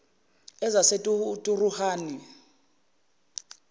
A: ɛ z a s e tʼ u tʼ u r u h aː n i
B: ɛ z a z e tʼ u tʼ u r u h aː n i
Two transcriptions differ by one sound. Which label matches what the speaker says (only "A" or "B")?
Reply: A